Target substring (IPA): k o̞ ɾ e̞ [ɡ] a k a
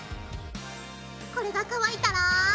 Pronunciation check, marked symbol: correct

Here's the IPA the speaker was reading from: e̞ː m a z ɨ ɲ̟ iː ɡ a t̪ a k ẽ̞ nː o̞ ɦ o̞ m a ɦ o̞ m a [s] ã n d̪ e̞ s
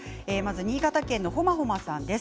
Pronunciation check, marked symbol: correct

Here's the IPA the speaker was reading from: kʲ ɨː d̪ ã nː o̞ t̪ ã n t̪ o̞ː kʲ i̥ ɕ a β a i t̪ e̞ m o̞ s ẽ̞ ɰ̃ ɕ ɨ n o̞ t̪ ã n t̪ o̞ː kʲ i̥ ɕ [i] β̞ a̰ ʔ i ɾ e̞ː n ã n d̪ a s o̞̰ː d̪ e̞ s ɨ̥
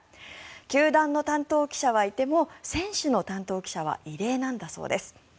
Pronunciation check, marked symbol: incorrect: a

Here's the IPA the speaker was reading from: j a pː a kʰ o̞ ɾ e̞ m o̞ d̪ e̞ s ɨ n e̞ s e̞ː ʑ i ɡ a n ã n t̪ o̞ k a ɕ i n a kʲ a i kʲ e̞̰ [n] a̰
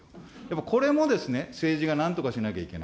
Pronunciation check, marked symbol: correct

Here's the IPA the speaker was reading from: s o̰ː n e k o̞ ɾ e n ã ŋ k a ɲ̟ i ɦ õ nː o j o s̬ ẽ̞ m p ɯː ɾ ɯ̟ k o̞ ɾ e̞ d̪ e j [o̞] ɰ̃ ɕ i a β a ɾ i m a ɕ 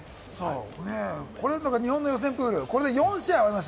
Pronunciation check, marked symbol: incorrect: õ̞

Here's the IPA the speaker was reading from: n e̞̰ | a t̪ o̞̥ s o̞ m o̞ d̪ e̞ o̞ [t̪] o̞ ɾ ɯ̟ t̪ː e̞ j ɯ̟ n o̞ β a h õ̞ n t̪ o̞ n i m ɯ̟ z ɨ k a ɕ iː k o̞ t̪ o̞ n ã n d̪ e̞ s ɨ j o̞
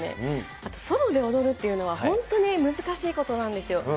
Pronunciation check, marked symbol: incorrect: d̪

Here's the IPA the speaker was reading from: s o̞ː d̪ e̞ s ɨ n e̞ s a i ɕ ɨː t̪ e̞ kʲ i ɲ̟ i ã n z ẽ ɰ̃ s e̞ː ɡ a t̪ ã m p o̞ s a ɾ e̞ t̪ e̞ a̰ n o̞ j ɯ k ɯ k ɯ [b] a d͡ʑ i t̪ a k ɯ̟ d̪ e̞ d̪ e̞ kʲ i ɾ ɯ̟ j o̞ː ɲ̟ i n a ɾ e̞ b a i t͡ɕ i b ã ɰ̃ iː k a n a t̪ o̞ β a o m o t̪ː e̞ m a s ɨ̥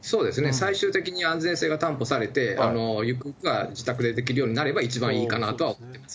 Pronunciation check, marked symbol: incorrect: ɡ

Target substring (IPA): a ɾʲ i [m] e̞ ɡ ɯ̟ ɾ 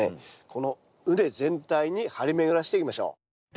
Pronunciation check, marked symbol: correct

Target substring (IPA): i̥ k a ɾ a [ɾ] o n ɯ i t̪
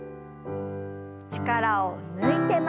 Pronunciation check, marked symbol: incorrect: none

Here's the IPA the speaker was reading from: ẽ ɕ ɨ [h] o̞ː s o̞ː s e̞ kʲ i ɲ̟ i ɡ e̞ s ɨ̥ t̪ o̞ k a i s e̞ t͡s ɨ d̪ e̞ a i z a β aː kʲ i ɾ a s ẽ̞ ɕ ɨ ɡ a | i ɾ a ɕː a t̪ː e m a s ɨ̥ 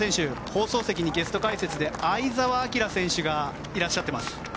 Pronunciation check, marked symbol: correct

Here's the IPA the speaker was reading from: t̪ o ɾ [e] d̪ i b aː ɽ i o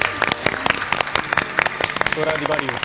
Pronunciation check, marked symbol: incorrect: a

